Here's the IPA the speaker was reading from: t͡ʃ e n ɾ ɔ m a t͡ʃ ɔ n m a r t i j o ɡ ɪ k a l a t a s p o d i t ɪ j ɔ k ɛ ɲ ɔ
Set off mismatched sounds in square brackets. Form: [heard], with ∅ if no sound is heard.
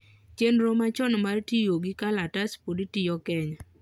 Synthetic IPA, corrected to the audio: t͡ʃ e n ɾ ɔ m a t͡ʃ ɔ n m a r t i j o ɡ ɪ k a l a t a s p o d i t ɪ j ɔ k ɛ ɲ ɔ